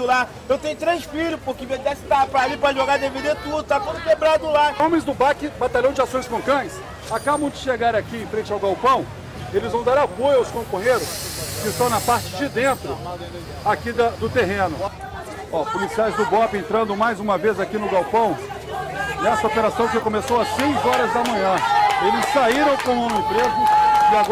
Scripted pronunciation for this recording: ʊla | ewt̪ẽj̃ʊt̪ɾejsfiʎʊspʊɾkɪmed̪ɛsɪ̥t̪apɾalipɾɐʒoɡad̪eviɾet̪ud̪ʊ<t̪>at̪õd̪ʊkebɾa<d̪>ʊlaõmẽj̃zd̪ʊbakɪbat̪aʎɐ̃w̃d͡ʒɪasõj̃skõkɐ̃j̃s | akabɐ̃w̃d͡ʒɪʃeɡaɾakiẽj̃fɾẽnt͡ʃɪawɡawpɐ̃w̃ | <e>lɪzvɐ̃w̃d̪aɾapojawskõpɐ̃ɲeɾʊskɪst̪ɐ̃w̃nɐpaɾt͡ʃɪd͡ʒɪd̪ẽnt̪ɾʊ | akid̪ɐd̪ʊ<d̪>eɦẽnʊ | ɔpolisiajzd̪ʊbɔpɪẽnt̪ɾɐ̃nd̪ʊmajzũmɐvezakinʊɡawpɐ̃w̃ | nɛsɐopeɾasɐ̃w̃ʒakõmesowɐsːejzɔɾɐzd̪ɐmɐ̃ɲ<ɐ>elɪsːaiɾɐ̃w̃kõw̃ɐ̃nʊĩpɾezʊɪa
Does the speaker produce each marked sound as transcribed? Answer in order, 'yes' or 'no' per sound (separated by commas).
yes, yes, yes, no, no